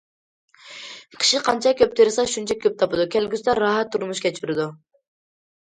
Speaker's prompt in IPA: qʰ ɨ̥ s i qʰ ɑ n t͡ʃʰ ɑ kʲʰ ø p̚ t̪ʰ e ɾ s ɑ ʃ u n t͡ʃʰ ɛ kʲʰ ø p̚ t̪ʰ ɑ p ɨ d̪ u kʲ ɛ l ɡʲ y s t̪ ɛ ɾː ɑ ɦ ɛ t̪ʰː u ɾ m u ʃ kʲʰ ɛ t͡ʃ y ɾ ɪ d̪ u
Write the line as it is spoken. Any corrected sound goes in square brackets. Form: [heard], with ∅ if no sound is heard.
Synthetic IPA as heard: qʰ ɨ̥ [ʃ] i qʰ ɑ n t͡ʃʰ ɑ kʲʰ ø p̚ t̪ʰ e ɾ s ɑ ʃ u n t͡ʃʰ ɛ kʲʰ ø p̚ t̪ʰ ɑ p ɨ d̪ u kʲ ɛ l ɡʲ y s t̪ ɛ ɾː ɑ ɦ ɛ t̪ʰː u ɾ m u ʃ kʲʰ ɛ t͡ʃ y ɾ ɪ d̪ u